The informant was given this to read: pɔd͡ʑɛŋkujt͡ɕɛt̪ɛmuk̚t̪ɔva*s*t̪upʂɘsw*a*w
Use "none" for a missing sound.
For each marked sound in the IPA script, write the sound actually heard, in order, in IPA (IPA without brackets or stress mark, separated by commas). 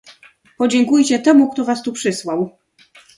s, a